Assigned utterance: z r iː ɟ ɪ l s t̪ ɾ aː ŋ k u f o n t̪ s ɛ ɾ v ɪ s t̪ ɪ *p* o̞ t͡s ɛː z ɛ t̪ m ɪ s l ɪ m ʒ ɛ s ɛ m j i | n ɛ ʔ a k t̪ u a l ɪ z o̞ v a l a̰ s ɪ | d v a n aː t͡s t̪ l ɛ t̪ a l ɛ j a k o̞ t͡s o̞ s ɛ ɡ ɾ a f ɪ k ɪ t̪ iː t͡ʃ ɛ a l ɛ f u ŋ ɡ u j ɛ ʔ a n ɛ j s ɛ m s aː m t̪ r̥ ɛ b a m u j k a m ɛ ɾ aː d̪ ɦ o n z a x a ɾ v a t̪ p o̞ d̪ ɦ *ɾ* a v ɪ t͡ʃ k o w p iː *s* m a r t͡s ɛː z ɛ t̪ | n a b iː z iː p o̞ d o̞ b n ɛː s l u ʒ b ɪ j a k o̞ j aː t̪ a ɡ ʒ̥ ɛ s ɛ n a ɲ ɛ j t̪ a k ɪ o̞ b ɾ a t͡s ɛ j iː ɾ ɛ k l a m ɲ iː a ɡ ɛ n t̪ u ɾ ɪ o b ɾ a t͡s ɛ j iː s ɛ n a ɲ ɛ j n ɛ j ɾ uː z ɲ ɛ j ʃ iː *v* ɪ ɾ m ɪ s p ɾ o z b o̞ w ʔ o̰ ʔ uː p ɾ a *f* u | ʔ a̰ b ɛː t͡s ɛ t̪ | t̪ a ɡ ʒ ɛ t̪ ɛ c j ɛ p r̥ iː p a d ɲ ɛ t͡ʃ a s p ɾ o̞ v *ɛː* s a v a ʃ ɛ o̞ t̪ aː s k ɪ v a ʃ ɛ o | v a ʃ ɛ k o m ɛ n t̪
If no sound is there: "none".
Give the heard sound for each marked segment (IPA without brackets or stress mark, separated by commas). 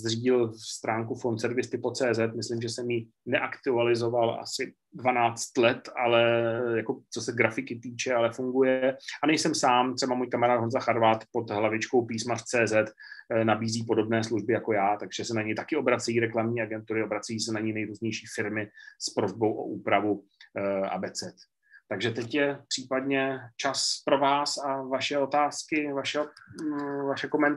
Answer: p, l, s, f, v, aː